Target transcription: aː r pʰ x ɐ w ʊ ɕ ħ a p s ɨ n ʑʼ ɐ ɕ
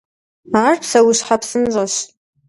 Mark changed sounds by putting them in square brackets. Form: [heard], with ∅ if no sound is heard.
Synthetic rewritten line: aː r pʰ [s] ɐ w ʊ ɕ ħ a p s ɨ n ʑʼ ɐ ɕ

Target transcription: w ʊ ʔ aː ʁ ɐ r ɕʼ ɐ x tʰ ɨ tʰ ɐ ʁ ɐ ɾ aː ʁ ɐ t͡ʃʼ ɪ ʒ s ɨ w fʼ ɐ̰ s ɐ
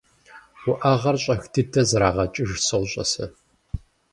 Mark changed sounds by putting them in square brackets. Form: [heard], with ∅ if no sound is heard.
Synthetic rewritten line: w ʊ ʔ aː ʁ ɐ r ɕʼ ɐ x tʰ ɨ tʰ ɐ [z] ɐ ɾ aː ʁ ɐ t͡ʃʼ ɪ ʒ s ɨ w [ɕʼ] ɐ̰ s ɐ

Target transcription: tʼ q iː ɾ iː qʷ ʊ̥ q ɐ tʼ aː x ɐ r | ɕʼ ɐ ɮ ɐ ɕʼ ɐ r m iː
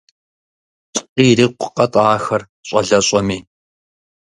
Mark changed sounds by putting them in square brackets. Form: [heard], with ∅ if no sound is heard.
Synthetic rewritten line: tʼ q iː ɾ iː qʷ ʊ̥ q ɐ tʼ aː x ɐ r | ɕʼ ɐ ɮ ɐ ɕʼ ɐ [∅] m iː

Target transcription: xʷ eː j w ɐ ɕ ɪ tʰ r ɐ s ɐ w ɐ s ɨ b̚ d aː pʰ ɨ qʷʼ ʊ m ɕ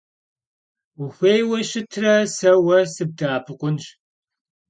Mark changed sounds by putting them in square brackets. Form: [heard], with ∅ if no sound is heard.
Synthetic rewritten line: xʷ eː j w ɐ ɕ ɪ tʰ r ɐ s ɐ w ɐ s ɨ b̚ d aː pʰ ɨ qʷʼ ʊ [n] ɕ

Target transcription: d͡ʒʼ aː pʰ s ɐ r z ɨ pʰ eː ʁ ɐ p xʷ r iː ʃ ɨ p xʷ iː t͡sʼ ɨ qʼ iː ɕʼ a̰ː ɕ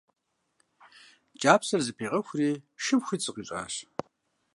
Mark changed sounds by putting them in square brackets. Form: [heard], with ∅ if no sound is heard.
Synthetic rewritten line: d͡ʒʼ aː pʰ s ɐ r z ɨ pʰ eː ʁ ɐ [∅] xʷ r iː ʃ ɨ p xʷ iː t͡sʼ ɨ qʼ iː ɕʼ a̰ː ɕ

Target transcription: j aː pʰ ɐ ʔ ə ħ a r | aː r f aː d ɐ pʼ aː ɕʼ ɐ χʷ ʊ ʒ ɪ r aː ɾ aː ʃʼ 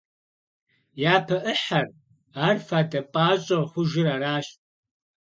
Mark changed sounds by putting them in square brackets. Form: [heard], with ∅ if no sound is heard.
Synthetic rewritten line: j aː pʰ ɐ ʔ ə ħ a r | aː r f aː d ɐ pʼ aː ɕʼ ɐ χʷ ʊ ʒ ɪ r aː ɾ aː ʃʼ

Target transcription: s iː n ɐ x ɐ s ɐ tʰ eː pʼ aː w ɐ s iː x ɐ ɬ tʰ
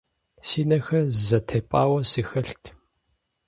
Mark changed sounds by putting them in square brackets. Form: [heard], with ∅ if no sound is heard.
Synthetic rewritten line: s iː n ɐ x ɐ [z] ɐ tʰ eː pʼ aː w ɐ s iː x ɐ ɬ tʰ

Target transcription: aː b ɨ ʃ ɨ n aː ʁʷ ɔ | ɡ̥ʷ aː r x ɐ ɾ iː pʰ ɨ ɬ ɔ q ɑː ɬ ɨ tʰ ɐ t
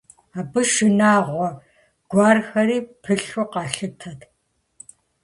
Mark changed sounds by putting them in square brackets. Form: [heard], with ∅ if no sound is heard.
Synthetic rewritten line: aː b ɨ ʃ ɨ n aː ʁʷ ɔ | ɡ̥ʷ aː r x ɐ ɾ iː pʰ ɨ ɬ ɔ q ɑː ɬ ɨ tʰ ɐ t

